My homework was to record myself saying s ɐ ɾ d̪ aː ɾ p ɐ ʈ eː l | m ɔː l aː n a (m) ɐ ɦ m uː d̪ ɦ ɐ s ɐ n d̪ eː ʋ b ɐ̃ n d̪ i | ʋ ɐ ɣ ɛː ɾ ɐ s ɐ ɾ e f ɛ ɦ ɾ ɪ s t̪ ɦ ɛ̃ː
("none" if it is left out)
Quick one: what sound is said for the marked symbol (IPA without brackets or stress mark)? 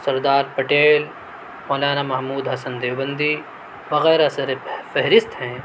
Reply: m